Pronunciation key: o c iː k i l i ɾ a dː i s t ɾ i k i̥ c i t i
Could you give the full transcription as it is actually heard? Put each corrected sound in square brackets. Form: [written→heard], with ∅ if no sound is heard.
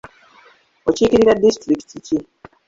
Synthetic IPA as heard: o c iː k i [l→ɾ] i ɾ a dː i s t ɾ i k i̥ [c→t] i [t→c] i